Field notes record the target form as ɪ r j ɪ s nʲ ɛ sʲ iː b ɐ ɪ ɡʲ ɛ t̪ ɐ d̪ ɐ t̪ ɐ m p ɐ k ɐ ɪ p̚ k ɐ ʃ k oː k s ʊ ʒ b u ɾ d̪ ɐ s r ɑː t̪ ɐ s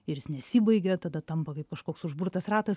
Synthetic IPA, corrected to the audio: ɪ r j ɪ s nʲ ɛ sʲ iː b ɐ ɪ ɡʲ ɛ t̪ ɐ d̪ ɐ t̪ ɐ m p ɐ k ɐ ɪ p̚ k ɐ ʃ k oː k s ʊ ʒ b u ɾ t̪ ɐ s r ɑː t̪ ɐ s